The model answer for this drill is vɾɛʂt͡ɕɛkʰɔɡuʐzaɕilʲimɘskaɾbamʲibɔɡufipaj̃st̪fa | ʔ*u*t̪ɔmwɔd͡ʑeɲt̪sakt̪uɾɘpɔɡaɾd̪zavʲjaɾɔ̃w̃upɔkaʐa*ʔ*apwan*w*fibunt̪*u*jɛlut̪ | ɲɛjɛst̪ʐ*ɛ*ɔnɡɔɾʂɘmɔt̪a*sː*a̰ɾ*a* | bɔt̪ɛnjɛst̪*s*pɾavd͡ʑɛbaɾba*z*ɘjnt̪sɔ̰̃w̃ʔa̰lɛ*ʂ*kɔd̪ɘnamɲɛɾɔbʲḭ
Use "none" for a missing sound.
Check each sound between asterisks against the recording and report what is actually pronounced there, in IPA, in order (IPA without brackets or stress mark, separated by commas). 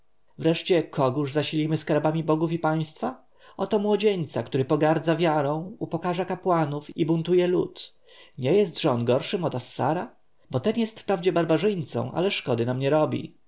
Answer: ɔ, k, u, u, ɛ, sː, a, f, ʐ, ʂ